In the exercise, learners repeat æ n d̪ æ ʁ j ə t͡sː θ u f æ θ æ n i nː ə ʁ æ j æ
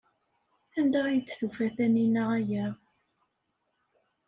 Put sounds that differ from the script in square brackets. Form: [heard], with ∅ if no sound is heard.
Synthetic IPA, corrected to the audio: æ n d̪ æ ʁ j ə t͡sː θ u f æ θ æ n i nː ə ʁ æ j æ